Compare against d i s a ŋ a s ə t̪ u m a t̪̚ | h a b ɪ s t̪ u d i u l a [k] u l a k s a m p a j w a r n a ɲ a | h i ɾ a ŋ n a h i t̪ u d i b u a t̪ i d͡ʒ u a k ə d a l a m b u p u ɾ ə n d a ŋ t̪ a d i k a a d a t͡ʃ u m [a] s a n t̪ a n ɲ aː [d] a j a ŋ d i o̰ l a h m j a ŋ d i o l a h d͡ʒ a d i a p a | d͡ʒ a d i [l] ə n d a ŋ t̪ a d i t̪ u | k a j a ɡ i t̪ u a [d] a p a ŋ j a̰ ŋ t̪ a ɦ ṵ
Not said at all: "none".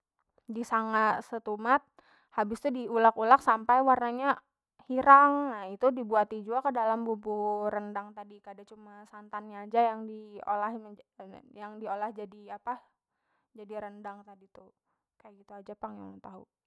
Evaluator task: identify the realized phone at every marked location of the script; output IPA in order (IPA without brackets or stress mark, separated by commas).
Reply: k, a, d͡ʒ, ɾ, d͡ʒ